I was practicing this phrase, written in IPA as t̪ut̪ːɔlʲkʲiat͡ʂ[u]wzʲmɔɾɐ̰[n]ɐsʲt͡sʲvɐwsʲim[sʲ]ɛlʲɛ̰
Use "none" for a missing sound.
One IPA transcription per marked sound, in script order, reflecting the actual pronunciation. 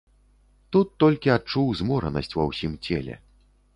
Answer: u, n, t͡sʲ

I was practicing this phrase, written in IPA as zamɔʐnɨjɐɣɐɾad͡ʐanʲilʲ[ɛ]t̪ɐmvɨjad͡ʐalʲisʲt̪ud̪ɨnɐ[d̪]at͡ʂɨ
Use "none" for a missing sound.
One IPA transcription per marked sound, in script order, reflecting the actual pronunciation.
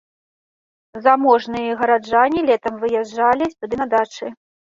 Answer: ɛ, d̪

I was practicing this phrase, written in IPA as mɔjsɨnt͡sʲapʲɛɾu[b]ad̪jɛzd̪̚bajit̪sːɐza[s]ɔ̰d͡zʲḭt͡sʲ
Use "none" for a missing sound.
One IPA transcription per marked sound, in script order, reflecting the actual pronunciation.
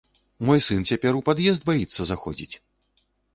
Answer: p, x

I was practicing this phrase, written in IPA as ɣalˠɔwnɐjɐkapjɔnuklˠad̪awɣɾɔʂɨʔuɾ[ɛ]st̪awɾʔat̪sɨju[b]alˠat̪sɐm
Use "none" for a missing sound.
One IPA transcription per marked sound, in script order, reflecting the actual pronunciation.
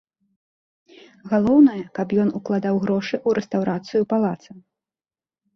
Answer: ɛ, p

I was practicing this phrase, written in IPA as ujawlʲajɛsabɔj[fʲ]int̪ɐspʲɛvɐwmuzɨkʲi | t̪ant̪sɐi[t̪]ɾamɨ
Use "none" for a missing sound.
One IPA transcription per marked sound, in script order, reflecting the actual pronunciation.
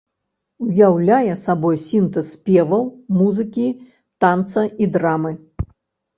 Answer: sʲ, d̪

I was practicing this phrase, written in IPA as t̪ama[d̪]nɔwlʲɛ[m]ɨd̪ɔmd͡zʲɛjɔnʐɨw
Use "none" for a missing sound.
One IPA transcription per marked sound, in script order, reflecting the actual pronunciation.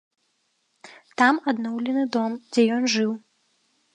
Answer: d̪, n

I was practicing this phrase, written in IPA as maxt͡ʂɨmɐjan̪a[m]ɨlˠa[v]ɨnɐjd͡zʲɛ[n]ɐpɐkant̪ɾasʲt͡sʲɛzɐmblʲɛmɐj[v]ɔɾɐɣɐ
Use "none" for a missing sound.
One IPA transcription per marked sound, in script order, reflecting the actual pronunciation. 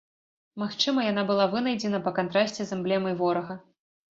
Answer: b, v, n, v

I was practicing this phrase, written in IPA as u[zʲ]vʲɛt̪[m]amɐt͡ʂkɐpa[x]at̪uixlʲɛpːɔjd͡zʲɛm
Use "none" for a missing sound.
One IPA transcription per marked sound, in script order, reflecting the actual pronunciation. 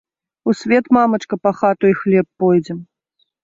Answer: sʲ, m, x

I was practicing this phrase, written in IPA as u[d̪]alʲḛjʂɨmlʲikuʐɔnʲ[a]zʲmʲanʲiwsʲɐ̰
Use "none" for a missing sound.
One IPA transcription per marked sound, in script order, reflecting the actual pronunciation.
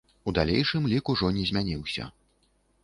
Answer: d̪, ɛ

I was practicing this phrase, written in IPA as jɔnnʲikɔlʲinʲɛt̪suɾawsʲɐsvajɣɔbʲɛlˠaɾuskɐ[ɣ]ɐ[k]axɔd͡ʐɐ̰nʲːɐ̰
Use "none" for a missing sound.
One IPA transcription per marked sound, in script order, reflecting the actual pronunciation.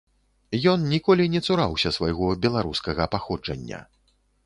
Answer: ɣ, p

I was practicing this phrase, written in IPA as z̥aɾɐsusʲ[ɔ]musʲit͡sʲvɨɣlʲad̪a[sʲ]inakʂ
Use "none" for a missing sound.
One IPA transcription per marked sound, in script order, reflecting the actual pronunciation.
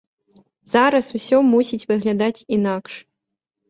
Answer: ɔ, t͡sʲ

